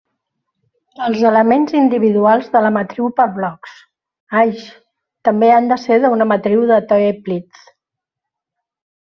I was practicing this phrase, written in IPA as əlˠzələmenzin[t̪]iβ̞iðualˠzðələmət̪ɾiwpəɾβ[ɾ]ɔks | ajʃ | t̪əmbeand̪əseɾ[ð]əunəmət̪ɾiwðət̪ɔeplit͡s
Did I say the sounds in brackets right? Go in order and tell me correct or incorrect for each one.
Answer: incorrect, incorrect, correct

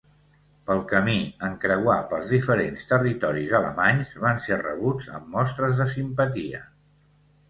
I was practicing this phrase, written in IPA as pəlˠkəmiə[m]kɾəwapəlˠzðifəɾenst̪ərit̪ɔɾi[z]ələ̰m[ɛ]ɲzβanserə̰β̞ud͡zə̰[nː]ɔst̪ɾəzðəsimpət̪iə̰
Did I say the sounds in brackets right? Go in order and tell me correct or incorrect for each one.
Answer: incorrect, correct, incorrect, incorrect

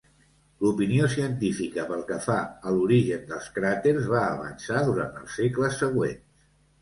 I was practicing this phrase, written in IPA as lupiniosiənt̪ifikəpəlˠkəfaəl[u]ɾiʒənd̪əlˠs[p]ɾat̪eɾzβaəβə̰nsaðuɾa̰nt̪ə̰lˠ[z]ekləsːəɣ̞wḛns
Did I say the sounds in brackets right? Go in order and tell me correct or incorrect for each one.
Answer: correct, incorrect, incorrect

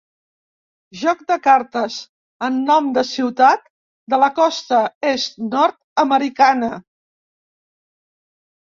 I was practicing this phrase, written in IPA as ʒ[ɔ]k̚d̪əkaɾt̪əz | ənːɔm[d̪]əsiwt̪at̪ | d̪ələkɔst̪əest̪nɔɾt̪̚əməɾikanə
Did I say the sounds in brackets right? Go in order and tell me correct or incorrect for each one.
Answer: correct, correct

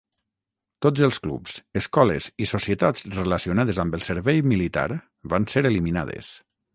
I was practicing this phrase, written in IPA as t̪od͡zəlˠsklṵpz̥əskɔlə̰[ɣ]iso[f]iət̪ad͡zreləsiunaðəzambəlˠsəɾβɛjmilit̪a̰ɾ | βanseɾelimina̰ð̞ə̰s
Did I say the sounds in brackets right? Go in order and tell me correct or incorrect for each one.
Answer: incorrect, incorrect

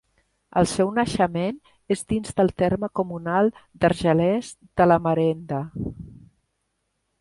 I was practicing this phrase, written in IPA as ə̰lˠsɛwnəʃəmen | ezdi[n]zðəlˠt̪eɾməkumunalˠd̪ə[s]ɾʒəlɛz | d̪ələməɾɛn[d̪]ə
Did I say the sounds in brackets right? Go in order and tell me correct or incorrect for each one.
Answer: correct, incorrect, correct

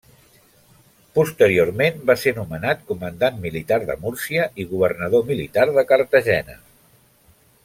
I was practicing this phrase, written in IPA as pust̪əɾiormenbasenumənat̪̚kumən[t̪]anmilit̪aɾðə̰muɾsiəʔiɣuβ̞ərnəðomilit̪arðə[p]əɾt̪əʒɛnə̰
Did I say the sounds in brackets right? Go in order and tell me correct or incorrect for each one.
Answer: incorrect, incorrect

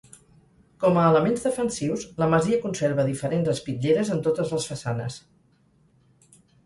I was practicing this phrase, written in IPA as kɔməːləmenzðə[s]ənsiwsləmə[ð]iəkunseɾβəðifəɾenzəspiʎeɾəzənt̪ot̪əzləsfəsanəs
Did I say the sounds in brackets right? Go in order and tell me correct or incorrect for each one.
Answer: incorrect, incorrect

